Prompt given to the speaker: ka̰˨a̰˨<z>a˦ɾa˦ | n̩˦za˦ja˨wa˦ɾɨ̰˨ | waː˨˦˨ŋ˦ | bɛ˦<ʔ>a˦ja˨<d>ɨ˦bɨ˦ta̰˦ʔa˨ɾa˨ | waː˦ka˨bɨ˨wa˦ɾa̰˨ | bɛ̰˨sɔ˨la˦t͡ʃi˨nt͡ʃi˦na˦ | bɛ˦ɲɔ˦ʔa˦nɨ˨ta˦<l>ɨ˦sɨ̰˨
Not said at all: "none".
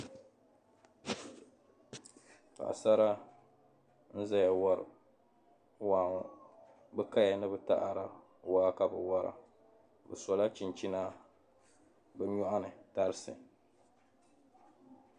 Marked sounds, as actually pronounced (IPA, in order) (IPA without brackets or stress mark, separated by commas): s, k, n, ɾ